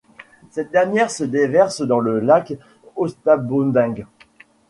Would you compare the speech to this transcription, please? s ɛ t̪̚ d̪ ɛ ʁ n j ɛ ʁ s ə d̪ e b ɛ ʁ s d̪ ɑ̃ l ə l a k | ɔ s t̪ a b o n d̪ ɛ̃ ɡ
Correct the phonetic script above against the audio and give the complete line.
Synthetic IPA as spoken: s ɛ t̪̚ d̪ ɛ ʁ n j ɛ ʁ s ə d̪ e v ɛ ʁ s d̪ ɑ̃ l ə l a k | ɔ s t̪ a b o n d̪ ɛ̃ ɡ